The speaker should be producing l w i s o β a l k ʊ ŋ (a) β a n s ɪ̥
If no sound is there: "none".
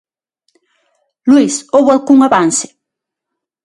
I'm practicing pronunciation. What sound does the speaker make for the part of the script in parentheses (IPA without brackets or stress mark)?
a